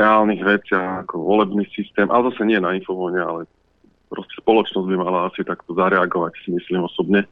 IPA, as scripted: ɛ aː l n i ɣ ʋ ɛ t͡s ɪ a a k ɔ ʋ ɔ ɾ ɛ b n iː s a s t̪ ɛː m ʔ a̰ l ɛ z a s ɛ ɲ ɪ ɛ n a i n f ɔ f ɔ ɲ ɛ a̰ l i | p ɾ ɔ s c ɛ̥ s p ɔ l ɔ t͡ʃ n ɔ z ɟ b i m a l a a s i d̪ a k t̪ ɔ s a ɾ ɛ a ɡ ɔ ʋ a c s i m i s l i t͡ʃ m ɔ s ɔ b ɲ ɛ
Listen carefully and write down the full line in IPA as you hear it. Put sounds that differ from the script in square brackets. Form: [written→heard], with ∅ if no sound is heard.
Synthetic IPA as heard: ɛ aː l n i ɣ ʋ ɛ t͡s ɪ a a k ɔ ʋ ɔ [ɾ→l] ɛ b n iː s [a→i] s t̪ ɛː m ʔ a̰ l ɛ z a s ɛ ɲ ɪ ɛ n a i n f ɔ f ɔ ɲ ɛ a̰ l [i→ɛ] | p ɾ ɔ s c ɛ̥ s p ɔ l ɔ t͡ʃ n ɔ z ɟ b i m a l a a s i [d̪→t̪] a k t̪ ɔ [s→z] a ɾ ɛ a ɡ ɔ ʋ a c s i m i s l i [t͡ʃ→∅] m ɔ s ɔ b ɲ ɛ